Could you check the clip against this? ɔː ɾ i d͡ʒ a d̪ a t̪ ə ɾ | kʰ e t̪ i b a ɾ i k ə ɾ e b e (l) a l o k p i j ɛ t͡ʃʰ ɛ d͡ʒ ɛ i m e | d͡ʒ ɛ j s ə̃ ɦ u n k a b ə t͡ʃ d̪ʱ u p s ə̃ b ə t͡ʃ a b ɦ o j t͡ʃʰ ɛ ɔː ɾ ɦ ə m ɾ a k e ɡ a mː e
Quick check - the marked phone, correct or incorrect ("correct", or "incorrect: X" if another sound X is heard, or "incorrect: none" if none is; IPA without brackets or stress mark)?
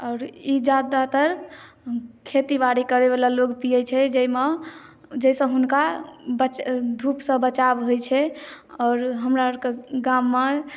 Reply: correct